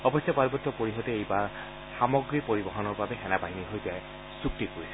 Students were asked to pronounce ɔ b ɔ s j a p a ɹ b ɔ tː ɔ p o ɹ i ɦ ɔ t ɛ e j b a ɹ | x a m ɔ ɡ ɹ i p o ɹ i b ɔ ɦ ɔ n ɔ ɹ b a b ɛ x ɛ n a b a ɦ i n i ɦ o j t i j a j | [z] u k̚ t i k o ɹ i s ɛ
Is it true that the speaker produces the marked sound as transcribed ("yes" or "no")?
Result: no